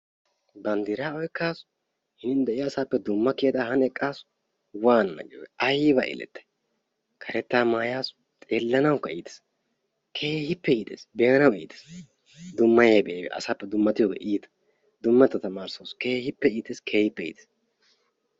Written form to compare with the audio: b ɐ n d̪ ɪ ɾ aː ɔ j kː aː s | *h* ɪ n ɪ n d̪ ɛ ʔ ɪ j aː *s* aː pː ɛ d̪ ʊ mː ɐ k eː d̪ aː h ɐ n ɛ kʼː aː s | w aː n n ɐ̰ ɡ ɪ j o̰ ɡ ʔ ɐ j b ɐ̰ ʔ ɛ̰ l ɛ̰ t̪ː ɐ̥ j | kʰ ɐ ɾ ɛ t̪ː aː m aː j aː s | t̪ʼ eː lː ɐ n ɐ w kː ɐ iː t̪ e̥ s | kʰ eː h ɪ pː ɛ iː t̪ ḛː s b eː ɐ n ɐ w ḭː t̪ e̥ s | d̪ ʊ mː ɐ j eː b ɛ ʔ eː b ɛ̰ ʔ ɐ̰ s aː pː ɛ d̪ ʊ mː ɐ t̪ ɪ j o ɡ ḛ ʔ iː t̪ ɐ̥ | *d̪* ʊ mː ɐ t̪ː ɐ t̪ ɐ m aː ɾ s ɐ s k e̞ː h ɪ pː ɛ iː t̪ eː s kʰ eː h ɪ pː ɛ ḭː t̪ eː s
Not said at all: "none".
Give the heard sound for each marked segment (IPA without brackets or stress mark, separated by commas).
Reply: h, s, d̪